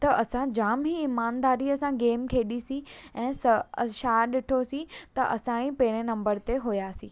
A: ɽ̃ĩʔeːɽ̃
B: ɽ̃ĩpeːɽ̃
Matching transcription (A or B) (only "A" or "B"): B